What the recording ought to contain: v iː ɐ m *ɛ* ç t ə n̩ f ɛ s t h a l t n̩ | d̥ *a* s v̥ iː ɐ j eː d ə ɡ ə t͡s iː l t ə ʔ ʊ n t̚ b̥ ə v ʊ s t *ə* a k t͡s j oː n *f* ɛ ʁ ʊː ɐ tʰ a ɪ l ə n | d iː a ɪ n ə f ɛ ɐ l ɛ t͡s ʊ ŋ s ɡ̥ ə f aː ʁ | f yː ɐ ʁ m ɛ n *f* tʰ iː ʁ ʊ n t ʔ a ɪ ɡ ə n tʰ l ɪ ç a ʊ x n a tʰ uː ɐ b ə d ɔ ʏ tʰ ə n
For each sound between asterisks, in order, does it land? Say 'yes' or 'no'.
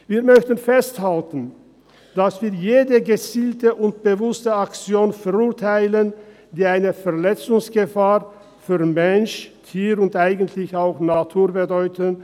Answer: no, yes, yes, yes, no

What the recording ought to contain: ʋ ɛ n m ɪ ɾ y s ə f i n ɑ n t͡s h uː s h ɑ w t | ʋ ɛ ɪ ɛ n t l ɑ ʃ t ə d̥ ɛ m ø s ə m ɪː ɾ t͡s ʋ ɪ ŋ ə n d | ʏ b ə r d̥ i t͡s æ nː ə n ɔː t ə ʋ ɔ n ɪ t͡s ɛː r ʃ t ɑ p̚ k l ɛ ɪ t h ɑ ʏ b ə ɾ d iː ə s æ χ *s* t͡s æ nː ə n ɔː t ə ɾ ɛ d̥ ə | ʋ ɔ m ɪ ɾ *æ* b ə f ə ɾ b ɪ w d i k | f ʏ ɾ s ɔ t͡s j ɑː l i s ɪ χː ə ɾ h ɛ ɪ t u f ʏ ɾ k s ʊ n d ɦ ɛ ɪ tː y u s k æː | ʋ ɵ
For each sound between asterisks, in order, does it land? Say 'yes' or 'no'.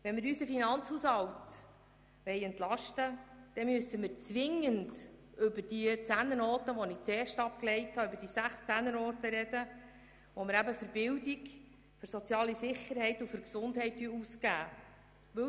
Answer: yes, yes

